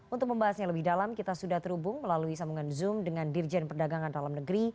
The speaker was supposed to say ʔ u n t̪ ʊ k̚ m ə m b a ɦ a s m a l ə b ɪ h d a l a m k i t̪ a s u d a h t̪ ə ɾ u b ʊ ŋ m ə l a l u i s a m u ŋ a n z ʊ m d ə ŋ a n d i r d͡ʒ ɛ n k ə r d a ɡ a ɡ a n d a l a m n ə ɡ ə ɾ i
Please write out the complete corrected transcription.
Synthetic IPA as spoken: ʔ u n t̪ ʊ k̚ m ə m b a ɦ a s ɲ a l ə b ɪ h d a l a m k i t̪ a s u d a h t̪ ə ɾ u b ʊ ŋ m ə l a l u i s a m u ŋ a n z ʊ m d ə ŋ a n d i r d͡ʒ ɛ n p ə r d a ɡ a ŋ a n d a l a m n ə ɡ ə ɾ i

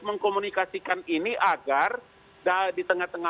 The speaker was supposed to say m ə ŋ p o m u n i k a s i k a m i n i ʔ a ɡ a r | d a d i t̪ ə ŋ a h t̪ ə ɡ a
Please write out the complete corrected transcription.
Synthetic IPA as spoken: m ə ŋ k o m u n i k a s i k a n i n i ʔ a ɡ a r | d a d i t̪ ə ŋ a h t̪ ə ŋ a

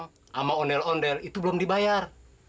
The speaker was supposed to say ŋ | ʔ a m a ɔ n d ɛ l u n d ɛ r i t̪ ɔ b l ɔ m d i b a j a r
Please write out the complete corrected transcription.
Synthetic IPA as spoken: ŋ | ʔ a m a ɔ n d ɛ l ɔ n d ɛ l i t̪ u b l ɔ m d i b a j a r

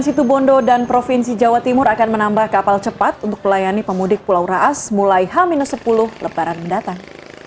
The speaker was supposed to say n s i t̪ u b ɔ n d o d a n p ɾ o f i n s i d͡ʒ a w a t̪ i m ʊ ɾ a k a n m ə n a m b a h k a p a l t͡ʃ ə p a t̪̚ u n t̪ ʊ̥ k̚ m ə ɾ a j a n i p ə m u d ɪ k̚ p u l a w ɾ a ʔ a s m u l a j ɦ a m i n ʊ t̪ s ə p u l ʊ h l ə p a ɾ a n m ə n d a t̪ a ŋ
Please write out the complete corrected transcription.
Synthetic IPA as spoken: n s i t̪ u b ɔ n d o d a n p ɾ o f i n s i d͡ʒ a w a t̪ i m ʊ ɾ a k a n m ə n a m b a h k a p a l t͡ʃ ə p a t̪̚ u n t̪ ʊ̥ k̚ m ə l a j a n i p ə m u d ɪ k̚ p u l a w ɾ a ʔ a s m u l a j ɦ a m i n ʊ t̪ s ə p u l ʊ h l ə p a ɾ a n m ə n d a t̪ a ŋ

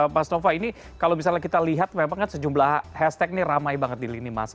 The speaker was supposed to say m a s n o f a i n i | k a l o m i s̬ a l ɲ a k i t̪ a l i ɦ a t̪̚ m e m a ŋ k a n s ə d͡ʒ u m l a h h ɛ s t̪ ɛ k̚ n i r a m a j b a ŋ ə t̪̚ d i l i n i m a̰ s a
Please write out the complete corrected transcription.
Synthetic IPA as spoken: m a s n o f a i n i | k a l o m i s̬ a l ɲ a k i t̪ a l i ɦ a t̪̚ m e m a ŋ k a n s ə d͡ʒ u m l a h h ɛ s t̪ ɛ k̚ n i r a m a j b a ŋ ə t̪̚ d i l i n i m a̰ s a

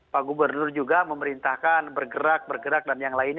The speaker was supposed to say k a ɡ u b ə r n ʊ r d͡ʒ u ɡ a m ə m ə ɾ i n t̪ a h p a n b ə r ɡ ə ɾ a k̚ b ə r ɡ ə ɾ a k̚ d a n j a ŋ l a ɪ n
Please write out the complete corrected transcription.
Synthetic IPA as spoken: p a ɡ u b ə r n ʊ r d͡ʒ u ɡ a m ə m ə ɾ i n t̪ a h k a n b ə r ɡ ə ɾ a k̚ b ə r ɡ ə ɾ a k̚ d a n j a ŋ l a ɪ n

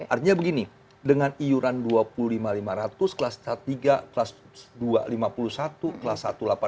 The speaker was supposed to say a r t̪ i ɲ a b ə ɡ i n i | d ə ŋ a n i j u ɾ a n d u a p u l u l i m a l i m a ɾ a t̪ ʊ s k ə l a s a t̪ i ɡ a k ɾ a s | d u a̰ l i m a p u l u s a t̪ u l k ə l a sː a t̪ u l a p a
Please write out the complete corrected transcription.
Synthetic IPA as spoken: a r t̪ i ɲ a b ə ɡ i n i | d ə ŋ a n i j u ɾ a n d u a p u l u l i m a l i m a ɾ a t̪ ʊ s k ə l a s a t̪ i ɡ a k l a s | d u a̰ l i m a p u l u s a t̪ u k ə l a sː a t̪ u l a p a

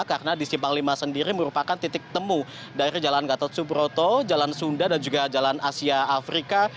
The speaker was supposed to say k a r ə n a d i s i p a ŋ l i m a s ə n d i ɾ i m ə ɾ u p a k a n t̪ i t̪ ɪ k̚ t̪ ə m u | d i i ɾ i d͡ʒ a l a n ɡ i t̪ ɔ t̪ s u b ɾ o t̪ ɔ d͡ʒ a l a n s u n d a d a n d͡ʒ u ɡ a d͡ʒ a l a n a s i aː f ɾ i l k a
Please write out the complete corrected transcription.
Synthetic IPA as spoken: k a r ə n a d i s i p a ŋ l i m a s ə n d i ɾ i m ə ɾ u p a k a n t̪ i t̪ ɪ k̚ t̪ ə m u | d a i ɾ i d͡ʒ a l a n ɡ a t̪ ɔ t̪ s u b ɾ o t̪ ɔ d͡ʒ a l a n s u n d a d a n d͡ʒ u ɡ a d͡ʒ a l a n a s i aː f ɾ i k a

